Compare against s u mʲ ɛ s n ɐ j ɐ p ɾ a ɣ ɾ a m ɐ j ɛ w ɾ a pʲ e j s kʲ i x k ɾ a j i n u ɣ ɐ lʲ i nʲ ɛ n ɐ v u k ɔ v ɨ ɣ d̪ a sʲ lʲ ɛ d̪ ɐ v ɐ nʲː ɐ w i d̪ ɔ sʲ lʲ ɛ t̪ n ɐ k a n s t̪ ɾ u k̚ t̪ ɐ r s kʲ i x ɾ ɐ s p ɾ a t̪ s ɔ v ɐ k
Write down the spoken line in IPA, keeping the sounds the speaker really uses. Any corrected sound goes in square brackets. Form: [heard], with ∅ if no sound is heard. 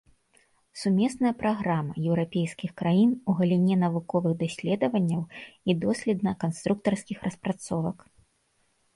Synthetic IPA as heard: s u mʲ ɛ s n ɐ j ɐ p ɾ a ɣ ɾ a m ɐ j ɛ w ɾ a pʲ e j s kʲ i x k ɾ a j i n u ɣ ɐ lʲ i nʲ ɛ n ɐ v u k ɔ v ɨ ɣ d̪ a sʲ lʲ ɛ d̪ ɐ v ɐ nʲː ɐ w i d̪ ɔ sʲ lʲ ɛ [d̪] n ɐ k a n s t̪ ɾ u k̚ t̪ ɐ r s kʲ i x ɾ ɐ s p ɾ a t̪ s ɔ v ɐ k